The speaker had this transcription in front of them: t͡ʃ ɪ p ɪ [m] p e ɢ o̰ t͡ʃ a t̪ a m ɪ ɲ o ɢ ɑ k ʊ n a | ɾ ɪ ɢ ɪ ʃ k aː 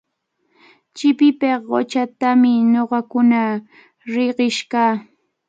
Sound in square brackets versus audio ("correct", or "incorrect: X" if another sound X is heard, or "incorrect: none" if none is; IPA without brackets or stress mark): incorrect: none